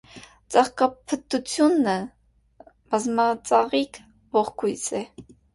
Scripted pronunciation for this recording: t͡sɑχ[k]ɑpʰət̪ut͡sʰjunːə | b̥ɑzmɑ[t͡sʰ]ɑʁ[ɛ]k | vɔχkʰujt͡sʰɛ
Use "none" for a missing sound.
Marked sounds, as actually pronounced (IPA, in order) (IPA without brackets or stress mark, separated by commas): k, t͡s, i